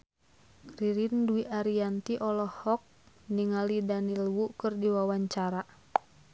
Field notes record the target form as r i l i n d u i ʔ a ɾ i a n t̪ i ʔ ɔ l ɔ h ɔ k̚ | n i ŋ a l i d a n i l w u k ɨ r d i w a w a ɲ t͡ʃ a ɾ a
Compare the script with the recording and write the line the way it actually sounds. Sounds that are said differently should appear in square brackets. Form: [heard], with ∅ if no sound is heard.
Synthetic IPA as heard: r i [ɾ] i n d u i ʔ a ɾ i a n t̪ i ʔ ɔ l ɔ h ɔ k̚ | n i ŋ a l i d a n i l w u k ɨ r d i w a w a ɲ t͡ʃ a ɾ a